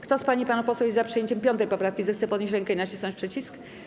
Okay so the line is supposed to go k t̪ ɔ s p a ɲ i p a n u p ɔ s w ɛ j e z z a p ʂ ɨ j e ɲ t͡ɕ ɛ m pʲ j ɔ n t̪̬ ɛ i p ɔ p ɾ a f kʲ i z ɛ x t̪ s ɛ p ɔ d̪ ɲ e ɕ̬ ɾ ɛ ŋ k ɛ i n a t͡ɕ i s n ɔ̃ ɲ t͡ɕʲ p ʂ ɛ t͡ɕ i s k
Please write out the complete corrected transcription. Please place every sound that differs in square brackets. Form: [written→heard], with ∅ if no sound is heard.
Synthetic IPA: k t̪ ɔ s p a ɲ i p a n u p ɔ s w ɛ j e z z a p ʂ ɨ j e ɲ t͡ɕ ɛ m pʲ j ɔ n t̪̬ ɛ [i→j] p ɔ p ɾ a f kʲ i z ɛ x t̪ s ɛ p ɔ d̪ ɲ e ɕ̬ ɾ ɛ ŋ k ɛ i n a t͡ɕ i s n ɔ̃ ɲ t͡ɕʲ p ʂ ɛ t͡ɕ i s k